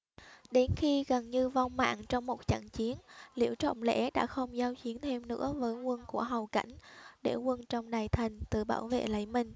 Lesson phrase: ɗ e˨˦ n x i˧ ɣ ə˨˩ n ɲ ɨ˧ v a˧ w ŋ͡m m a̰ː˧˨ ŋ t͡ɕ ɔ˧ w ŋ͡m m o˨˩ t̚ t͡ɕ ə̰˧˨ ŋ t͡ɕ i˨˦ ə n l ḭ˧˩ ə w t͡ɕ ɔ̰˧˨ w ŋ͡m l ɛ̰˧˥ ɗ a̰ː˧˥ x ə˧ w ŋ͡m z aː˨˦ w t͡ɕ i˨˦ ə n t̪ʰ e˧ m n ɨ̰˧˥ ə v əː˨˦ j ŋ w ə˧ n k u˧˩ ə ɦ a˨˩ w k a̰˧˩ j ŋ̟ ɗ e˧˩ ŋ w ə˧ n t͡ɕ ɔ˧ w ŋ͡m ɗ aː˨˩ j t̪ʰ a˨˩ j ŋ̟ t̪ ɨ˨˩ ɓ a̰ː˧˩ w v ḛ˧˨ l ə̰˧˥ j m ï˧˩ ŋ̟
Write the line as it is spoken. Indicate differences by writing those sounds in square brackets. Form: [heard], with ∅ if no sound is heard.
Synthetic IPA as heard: ɗ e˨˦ n x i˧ ɣ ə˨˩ n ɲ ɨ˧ v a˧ w ŋ͡m m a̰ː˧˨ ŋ t͡ɕ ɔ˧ w ŋ͡m m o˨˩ t̚ t͡ɕ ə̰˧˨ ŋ t͡ɕ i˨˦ ə n l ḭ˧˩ ə w t͡ɕ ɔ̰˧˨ w ŋ͡m l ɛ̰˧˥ ɗ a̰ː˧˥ x ə˧ w ŋ͡m z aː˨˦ w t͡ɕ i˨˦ ə n t̪ʰ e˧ m n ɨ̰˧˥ ə v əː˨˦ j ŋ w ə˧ n k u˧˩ ə ɦ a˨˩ w k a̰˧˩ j ŋ̟ ɗ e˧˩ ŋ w ə˧ n t͡ɕ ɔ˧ w ŋ͡m ɗ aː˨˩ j t̪ʰ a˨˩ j ŋ̟ t̪ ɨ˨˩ ɓ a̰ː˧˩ w v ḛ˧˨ l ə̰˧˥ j m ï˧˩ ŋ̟